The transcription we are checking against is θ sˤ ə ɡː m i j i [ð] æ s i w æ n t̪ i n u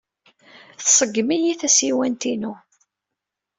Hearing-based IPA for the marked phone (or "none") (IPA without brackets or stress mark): θ